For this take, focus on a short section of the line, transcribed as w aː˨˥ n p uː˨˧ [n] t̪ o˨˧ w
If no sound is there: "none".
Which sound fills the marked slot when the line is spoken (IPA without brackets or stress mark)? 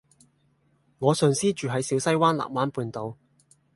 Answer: n